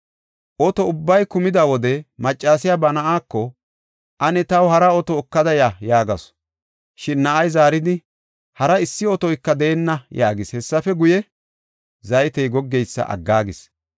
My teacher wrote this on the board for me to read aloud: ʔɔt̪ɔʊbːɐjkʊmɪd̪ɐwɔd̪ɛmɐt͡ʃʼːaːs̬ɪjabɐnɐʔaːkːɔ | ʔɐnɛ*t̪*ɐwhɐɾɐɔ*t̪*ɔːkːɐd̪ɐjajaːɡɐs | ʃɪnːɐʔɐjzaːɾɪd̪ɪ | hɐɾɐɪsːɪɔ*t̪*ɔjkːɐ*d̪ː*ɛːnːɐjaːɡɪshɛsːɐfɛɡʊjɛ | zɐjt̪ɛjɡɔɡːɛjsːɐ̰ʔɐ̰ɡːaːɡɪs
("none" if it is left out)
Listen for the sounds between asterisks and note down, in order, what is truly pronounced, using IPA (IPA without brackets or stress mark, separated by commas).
t̪, t̪, t̪, d̪